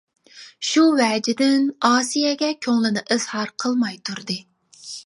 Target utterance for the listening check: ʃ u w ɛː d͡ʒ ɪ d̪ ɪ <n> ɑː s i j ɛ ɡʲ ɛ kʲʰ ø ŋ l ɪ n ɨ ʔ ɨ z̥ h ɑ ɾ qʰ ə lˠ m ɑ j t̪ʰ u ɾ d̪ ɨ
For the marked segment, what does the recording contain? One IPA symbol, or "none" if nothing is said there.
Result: n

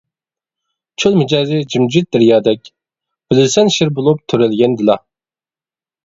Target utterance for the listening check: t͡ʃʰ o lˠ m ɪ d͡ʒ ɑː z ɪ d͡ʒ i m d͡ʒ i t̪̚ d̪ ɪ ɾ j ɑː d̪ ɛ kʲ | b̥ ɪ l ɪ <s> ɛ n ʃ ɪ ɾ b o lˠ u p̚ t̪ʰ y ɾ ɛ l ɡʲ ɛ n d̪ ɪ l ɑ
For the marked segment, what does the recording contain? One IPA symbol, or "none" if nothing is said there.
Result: s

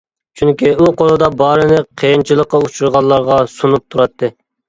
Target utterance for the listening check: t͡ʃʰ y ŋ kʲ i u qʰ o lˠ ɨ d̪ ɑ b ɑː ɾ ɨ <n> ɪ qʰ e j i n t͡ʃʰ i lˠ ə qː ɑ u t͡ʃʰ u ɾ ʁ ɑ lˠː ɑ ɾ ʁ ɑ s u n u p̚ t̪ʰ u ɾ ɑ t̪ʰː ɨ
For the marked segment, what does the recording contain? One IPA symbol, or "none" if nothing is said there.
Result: n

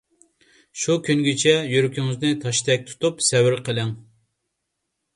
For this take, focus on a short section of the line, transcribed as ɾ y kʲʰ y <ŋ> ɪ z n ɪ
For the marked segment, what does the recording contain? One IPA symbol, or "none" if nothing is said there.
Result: ŋ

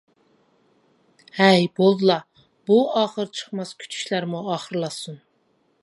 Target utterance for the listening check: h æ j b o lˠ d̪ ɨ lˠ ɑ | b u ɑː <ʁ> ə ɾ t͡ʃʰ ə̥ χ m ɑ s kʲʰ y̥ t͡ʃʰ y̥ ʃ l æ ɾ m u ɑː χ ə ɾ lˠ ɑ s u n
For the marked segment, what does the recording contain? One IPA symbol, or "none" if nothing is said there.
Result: χ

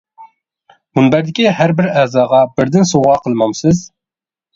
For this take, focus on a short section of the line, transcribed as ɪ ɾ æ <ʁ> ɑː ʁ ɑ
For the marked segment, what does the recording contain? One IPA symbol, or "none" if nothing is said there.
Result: z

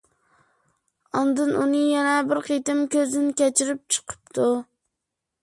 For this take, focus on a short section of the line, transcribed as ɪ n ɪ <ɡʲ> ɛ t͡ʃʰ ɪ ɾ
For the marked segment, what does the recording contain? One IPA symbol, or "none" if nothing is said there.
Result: kʲ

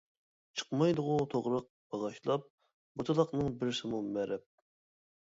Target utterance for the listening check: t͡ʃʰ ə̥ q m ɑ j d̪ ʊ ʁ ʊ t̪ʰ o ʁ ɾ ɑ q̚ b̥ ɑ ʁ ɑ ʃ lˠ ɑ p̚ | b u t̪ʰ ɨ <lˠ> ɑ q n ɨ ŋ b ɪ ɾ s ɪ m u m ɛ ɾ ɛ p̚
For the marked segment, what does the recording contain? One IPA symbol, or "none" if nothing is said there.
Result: lˠ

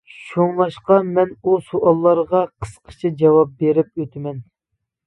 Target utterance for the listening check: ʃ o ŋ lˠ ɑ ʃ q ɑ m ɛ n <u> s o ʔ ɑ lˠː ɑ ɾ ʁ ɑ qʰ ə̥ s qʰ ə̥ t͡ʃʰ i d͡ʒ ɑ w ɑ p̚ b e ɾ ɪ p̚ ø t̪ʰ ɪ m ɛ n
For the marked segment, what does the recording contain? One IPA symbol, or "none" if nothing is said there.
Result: u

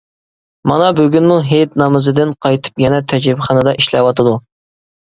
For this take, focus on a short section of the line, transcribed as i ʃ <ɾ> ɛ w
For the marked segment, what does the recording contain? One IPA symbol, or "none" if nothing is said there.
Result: l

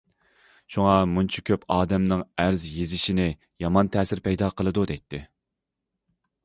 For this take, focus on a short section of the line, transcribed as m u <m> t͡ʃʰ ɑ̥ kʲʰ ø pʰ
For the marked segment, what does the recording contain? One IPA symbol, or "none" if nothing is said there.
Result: n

